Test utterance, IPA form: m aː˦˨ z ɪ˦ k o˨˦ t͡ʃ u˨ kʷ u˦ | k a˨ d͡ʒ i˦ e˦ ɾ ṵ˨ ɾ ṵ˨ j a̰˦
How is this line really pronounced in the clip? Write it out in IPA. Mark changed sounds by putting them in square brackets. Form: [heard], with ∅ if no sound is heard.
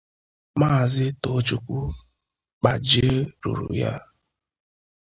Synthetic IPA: m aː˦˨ z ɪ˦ [t] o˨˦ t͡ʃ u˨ kʷ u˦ | [k͡p] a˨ d͡ʒ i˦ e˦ ɾ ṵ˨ ɾ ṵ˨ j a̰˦